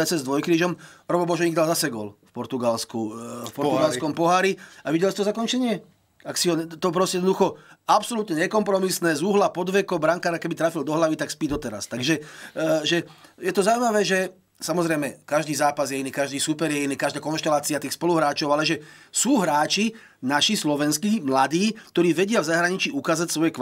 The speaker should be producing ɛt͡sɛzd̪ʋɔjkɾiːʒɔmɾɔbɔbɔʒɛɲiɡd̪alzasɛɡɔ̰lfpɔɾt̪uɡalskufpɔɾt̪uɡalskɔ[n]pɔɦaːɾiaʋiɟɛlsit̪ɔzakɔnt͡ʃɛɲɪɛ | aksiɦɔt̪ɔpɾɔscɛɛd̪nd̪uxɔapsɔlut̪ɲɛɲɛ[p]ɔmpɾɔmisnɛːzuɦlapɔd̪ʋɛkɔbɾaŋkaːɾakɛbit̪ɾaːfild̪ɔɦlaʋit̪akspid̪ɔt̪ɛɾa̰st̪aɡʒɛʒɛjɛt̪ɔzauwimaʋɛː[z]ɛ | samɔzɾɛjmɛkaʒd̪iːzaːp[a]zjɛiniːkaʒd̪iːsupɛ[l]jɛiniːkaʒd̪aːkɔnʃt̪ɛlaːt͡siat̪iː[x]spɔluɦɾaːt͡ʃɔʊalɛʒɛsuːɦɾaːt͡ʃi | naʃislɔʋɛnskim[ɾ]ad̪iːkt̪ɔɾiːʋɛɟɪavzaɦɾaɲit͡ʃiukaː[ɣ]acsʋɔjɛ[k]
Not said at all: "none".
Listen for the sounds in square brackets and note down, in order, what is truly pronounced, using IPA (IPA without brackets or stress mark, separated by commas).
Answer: m, k, ʒ, a, ɾ, x, l, z, k